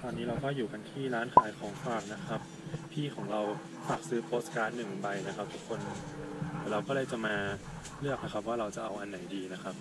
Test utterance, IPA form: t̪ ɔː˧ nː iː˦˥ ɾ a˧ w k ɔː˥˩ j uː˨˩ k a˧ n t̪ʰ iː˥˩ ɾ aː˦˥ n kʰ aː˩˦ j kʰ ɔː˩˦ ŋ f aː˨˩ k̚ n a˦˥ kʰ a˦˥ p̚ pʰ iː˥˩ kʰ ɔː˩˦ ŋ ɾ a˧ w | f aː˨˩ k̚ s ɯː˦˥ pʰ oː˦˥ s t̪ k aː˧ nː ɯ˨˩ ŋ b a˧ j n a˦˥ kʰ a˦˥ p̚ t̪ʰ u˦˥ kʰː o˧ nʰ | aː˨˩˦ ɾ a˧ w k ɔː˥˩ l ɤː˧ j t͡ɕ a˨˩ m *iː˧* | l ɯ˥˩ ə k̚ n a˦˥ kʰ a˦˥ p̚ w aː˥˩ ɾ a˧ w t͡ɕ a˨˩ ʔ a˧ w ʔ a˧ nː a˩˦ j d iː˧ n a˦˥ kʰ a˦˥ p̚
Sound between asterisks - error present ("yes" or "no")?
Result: yes